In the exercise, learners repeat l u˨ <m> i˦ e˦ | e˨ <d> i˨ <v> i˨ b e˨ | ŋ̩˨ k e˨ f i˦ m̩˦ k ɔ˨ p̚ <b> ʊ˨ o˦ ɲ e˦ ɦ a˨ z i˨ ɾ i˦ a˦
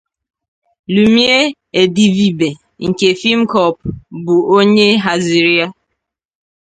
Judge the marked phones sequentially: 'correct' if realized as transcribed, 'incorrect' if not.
correct, correct, correct, correct

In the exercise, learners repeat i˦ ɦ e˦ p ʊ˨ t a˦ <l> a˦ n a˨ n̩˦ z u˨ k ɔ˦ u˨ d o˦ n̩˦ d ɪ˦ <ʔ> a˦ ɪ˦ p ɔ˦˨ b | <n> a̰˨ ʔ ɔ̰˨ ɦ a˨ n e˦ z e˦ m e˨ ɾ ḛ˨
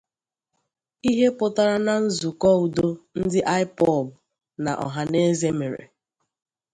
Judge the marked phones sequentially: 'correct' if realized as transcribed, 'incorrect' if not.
incorrect, correct, correct

